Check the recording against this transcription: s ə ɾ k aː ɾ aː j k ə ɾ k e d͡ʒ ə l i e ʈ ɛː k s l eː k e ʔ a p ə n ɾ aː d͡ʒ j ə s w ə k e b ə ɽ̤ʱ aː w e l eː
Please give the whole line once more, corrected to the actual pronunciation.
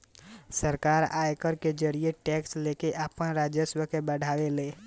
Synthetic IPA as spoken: s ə ɾ k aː ɾ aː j k ə ɾ k e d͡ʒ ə ɾ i e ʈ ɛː k s l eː k e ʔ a p ə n ɾ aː d͡ʒ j ə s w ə k e b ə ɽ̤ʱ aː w e l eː